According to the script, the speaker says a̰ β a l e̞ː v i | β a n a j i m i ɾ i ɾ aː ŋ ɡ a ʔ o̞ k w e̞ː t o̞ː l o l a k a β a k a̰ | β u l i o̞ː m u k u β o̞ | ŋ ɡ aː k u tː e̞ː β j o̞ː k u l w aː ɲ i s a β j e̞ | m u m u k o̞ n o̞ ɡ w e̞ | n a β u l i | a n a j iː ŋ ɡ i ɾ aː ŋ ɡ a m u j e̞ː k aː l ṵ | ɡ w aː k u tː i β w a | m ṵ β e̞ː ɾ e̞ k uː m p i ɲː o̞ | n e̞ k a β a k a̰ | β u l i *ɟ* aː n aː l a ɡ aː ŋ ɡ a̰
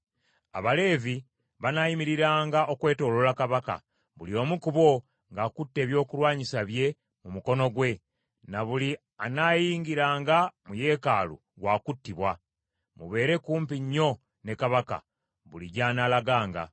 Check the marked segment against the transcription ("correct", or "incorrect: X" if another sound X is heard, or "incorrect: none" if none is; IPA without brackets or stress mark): correct